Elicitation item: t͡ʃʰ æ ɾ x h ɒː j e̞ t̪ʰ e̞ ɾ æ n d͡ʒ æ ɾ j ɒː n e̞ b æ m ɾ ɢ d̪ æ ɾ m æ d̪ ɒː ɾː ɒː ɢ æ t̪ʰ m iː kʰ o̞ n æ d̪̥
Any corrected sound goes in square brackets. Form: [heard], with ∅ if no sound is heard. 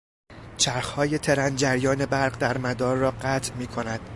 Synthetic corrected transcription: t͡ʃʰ æ ɾ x h ɒː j e̞ t̪ʰ e̞ ɾ æ n d͡ʒ æ ɾ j ɒː n e̞ b æ [∅] ɾ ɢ d̪ æ ɾ m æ d̪ ɒː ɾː ɒː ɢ æ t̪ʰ m iː kʰ o̞ n æ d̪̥